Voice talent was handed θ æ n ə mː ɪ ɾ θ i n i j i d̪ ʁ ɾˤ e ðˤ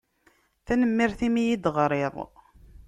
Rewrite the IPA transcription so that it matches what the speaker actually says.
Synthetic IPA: θ æ n ə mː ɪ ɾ θ i m i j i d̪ ʁ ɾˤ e ðˤ